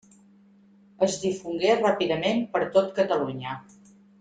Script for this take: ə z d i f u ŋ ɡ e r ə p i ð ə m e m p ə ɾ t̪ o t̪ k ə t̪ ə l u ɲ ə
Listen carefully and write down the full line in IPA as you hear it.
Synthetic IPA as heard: ə z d i f u ŋ ɡ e r a p i ð ə m e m p ə ɾ t̪ o t̪ k ə t̪ ə l u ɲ ə